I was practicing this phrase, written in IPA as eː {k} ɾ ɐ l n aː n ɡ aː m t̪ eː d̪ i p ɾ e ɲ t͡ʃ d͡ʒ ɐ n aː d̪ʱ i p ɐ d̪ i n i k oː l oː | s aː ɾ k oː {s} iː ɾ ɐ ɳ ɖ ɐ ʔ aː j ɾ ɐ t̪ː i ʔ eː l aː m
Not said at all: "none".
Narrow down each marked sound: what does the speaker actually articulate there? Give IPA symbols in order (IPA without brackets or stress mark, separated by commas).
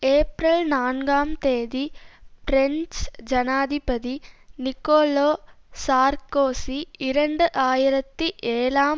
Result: p, s